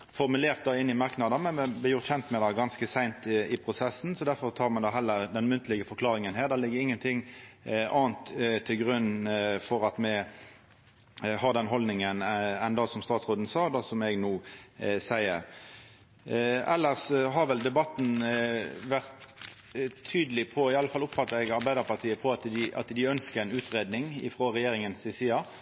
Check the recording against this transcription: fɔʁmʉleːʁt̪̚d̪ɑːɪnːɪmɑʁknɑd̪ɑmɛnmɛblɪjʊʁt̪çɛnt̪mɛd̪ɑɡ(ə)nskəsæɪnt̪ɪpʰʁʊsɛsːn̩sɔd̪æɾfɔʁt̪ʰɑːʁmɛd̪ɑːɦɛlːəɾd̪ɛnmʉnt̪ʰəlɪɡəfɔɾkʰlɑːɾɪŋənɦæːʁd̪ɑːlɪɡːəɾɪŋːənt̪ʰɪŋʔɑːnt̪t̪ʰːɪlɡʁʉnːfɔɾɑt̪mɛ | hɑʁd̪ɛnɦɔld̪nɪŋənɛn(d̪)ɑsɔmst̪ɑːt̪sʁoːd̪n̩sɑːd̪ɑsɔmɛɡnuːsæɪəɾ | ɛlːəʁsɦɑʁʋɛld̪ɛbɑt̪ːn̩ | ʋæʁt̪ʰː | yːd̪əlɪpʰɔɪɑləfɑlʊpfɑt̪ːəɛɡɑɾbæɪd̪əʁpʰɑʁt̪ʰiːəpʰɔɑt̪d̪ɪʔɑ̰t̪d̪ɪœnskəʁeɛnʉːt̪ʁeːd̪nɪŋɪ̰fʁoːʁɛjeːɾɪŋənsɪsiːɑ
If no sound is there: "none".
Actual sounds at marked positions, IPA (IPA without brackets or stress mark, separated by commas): ɑ, d̪